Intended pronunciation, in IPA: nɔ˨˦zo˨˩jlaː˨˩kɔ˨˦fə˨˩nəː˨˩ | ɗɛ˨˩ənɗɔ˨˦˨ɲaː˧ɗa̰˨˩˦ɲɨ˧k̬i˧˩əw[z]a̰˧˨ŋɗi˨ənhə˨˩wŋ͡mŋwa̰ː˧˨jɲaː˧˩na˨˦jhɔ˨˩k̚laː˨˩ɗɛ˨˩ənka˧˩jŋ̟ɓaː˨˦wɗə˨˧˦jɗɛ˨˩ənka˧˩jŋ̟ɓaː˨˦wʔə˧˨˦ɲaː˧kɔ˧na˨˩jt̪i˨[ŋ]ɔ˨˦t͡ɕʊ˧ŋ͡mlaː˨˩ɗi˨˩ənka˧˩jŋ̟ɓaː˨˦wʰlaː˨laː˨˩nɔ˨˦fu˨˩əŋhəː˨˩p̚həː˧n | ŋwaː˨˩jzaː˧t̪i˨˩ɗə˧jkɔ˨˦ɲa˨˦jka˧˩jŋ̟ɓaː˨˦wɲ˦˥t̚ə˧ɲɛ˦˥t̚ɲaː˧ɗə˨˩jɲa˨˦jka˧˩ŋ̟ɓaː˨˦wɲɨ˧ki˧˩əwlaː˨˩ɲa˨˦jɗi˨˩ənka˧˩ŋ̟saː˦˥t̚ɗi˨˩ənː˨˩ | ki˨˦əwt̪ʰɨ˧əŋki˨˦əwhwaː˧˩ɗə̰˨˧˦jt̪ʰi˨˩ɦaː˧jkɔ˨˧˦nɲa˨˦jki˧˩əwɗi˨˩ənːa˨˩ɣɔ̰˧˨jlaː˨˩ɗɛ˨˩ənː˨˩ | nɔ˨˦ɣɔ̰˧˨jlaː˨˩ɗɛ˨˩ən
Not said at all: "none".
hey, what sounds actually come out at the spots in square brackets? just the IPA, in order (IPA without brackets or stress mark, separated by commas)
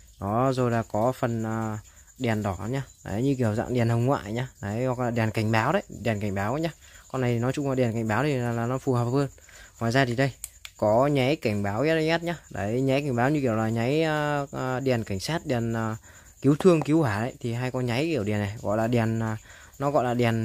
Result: z, n